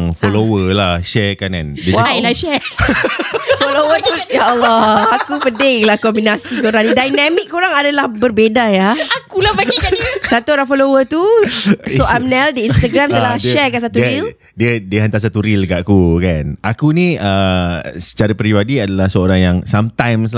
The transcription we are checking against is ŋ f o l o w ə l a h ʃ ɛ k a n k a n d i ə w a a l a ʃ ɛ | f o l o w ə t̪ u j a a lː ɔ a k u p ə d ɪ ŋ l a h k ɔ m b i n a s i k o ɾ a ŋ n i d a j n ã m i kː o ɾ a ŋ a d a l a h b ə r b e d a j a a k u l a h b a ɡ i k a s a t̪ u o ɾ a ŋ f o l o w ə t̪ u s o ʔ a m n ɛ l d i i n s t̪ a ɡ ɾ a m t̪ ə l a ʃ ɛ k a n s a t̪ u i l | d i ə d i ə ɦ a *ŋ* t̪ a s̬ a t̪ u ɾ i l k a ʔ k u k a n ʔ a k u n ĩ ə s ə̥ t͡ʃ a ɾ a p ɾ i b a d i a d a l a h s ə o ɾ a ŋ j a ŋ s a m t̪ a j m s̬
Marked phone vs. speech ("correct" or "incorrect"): incorrect